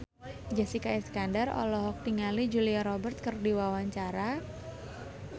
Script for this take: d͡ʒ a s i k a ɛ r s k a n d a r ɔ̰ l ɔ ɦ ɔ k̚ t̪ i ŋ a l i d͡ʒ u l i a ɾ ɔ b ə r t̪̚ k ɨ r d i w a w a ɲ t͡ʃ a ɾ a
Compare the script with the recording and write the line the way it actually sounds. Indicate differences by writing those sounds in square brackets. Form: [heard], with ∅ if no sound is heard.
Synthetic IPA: d͡ʒ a s i k a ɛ [∅] s k a n d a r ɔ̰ l ɔ ɦ ɔ k̚ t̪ i ŋ a l i d͡ʒ u l i a ɾ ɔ b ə r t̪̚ k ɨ r d i w a w a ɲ t͡ʃ a ɾ a